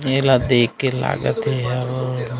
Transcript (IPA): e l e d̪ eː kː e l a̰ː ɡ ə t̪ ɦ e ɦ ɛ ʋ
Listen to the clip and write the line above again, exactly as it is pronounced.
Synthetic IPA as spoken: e l a d̪ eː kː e l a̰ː ɡ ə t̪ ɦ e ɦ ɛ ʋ